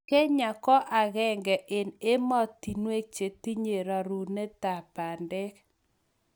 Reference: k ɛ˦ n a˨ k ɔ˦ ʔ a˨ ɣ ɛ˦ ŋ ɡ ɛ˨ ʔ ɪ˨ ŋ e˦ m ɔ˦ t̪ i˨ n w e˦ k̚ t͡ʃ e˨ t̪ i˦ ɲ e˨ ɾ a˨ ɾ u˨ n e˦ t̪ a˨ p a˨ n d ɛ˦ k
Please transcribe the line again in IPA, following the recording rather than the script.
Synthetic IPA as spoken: k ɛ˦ ɲ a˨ k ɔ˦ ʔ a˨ ɣ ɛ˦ ŋ ɡ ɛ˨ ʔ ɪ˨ n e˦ m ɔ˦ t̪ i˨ n w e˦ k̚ t͡ʃ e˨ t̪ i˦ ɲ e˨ ɾ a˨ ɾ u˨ n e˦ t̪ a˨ p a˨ n d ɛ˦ k